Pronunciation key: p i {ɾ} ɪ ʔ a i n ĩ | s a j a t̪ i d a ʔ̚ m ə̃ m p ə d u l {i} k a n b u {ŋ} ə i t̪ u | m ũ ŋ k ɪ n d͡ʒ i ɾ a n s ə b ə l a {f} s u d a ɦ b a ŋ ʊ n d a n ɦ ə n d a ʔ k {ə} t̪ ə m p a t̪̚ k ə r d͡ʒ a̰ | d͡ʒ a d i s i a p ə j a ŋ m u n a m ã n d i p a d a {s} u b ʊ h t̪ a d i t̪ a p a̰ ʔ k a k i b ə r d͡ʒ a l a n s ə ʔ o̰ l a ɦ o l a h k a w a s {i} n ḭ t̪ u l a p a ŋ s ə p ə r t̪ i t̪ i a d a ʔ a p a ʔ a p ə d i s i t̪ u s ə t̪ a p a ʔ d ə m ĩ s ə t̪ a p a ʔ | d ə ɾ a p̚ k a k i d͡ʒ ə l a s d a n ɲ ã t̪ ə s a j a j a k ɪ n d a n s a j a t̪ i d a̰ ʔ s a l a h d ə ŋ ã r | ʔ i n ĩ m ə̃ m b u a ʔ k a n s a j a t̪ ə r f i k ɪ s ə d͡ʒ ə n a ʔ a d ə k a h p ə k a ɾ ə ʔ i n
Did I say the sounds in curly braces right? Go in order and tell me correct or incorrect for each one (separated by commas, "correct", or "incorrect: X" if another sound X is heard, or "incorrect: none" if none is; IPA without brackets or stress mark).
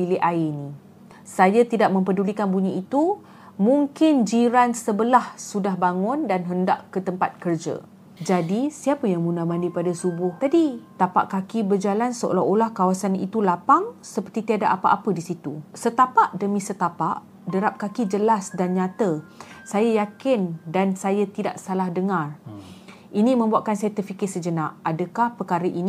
incorrect: l, correct, incorrect: ɲ, incorrect: h, correct, correct, incorrect: a